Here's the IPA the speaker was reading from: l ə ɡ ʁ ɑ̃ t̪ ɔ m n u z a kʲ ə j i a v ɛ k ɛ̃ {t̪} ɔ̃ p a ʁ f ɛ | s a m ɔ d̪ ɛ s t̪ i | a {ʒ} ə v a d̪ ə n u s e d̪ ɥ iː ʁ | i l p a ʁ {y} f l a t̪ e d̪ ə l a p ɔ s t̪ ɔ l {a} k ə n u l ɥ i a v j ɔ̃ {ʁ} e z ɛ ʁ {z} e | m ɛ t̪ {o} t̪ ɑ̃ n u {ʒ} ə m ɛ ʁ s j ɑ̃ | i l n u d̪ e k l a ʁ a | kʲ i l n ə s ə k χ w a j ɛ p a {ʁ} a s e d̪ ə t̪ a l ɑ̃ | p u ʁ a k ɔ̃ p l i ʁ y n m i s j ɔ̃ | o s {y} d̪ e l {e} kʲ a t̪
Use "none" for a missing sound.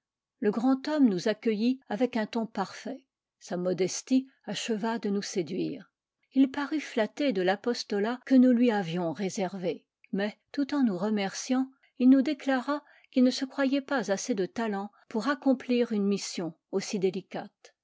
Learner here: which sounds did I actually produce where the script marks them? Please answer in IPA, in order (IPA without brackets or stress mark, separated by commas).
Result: t̪, ʃ, y, a, ʁ, v, u, ʁ, z, i, i